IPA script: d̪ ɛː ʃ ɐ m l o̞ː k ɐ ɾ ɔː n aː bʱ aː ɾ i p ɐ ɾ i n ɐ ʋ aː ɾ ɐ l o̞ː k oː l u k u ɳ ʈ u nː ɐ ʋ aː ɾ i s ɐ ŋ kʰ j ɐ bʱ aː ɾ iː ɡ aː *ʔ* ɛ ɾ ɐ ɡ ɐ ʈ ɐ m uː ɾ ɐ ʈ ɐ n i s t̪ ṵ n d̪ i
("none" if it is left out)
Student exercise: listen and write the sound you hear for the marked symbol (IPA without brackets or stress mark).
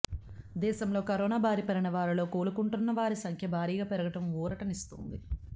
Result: p